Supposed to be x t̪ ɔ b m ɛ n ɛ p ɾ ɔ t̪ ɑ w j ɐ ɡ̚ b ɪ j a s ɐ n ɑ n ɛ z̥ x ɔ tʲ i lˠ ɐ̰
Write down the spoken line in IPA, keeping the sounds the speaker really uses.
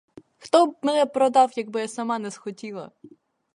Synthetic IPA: x t̪ ɔ b m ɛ n ɛ p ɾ ɔ d̪ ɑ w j ɐ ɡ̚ b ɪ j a s ɐ m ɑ n ɛ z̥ x ɔ tʲ i lˠ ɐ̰